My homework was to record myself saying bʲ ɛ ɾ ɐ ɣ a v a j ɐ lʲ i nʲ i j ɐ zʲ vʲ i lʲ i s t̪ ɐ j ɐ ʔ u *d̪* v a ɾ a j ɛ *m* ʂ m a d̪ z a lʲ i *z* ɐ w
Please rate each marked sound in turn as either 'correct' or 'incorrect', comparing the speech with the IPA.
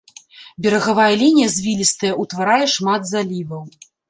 incorrect: t̪, incorrect: none, incorrect: v

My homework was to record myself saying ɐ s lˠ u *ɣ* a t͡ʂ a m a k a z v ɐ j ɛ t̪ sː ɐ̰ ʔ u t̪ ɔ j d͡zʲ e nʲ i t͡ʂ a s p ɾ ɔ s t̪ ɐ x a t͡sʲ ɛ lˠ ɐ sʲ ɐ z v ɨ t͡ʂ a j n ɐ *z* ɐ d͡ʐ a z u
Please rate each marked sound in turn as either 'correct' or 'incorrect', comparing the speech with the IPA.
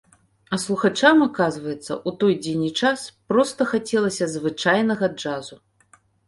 incorrect: x, incorrect: ɣ

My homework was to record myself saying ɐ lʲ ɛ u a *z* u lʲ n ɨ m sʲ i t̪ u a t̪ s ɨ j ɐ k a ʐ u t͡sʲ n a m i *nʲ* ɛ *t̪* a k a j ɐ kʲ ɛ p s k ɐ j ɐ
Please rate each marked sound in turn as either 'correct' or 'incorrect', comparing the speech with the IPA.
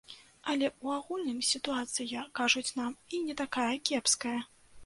incorrect: ɣ, correct, correct

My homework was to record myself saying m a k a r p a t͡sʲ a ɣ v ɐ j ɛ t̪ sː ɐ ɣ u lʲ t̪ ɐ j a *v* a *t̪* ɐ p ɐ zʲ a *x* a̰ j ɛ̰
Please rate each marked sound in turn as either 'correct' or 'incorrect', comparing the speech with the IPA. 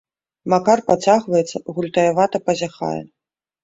correct, correct, correct

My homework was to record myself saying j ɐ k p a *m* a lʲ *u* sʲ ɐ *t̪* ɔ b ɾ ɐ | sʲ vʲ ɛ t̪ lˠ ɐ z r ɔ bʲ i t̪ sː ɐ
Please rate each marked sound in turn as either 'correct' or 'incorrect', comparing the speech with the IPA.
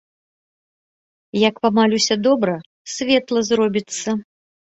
correct, correct, incorrect: d̪

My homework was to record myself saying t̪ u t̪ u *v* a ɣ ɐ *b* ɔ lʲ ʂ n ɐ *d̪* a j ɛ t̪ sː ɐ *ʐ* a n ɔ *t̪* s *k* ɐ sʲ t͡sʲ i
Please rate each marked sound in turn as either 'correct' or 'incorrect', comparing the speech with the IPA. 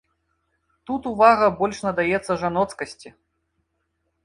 correct, correct, correct, correct, correct, correct

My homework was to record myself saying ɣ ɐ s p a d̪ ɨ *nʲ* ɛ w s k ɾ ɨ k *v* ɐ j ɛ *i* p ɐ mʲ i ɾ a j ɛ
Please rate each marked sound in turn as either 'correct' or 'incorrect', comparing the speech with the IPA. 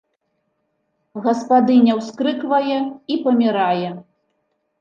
correct, correct, correct

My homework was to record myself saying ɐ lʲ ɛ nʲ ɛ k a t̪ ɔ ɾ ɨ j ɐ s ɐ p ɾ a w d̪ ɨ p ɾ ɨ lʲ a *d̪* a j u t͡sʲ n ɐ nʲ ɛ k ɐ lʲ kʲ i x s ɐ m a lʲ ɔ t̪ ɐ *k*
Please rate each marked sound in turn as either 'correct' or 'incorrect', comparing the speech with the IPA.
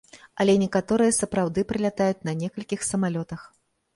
incorrect: t̪, incorrect: x

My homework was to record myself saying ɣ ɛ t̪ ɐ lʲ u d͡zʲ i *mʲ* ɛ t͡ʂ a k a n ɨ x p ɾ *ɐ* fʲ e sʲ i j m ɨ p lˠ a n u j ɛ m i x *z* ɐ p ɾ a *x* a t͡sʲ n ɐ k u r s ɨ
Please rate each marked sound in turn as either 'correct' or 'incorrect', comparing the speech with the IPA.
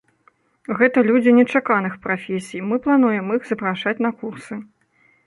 incorrect: nʲ, incorrect: a, correct, incorrect: ʂ

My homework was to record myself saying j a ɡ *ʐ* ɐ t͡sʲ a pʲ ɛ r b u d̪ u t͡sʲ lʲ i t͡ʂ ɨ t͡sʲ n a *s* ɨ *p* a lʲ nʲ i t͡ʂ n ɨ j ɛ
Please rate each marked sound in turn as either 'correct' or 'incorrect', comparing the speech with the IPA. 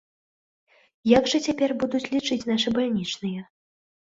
correct, incorrect: ʂ, incorrect: b

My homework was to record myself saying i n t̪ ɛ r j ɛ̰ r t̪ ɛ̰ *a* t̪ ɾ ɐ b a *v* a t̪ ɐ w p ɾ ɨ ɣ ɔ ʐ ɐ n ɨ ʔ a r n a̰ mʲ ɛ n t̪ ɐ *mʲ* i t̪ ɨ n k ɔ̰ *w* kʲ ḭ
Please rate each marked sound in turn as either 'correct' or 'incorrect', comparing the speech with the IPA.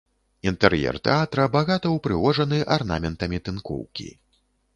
correct, incorrect: ɣ, correct, correct

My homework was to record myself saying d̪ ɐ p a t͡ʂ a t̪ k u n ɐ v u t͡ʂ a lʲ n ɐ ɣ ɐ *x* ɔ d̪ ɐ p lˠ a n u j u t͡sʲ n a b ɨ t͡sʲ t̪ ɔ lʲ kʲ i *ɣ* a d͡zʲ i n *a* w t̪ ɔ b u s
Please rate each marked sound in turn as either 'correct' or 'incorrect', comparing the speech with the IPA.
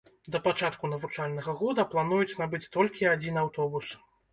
incorrect: ɣ, incorrect: none, correct

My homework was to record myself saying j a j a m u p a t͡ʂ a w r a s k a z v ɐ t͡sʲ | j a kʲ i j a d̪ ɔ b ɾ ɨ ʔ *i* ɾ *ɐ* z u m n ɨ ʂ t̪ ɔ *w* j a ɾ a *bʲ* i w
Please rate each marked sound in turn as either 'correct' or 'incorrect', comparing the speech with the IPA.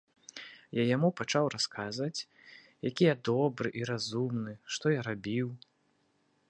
correct, incorrect: a, incorrect: none, correct

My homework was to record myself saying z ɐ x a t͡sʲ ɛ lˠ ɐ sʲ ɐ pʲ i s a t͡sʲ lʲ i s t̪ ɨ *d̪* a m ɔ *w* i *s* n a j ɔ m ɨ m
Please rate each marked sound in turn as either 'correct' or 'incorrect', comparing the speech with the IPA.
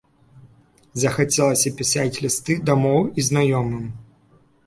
correct, correct, incorrect: z

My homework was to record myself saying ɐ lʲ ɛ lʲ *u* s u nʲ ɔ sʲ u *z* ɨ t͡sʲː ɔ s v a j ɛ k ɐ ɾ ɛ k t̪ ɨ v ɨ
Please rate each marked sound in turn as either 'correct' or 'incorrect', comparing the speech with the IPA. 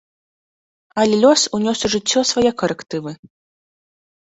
incorrect: ɔ, incorrect: ʐ

